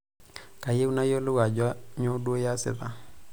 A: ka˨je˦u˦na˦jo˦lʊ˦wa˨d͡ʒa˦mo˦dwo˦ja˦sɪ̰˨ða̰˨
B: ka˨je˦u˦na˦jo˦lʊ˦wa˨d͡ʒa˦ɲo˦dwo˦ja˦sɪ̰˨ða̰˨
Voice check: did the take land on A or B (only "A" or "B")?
B